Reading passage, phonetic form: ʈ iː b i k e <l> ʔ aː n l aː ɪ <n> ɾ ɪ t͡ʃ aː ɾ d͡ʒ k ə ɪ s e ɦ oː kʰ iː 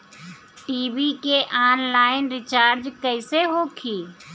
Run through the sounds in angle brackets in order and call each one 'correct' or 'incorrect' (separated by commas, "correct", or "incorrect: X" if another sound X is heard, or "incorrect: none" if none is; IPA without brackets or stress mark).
incorrect: none, correct